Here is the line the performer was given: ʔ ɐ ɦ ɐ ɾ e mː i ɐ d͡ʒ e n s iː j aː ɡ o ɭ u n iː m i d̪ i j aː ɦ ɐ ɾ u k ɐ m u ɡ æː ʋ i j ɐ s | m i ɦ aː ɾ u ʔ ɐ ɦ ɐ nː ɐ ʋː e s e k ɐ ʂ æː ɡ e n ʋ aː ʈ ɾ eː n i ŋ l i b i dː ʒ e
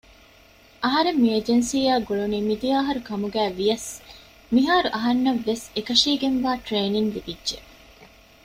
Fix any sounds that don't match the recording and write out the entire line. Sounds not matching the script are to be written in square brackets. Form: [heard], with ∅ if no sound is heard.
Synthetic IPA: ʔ ɐ ɦ ɐ ɾ e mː i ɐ d͡ʒ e n s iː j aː ɡ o ɭ u n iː m i d̪ i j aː ɦ ɐ ɾ u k ɐ m u ɡ æː ʋ i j ɐ s | m i ɦ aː ɾ u ʔ ɐ ɦ ɐ nː ɐ ʋː e s e k ɐ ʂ [iː] ɡ e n ʋ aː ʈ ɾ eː n i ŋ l i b i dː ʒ e